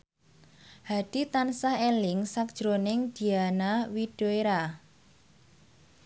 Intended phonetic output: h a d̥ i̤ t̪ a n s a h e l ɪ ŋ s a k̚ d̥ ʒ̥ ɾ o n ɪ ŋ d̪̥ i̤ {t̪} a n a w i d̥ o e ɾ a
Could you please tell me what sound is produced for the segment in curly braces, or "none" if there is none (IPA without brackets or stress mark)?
none